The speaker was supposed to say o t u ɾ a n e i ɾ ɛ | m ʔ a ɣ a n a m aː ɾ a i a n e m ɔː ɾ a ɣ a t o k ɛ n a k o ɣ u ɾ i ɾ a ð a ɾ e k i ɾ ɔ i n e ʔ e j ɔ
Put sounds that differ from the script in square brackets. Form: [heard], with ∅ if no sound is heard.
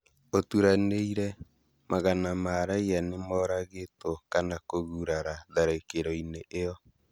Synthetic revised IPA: o t u ɾ a n e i ɾ ɛ | m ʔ a ɣ a n a m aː ɾ a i a n e m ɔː ɾ a ɣ [e] t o k [a] n a k o ɣ u ɾ [a] ɾ a ð a ɾ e k [e] ɾ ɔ i n e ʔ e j ɔ